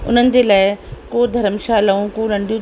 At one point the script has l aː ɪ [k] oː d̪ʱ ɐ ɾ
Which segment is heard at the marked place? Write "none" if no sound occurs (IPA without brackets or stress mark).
k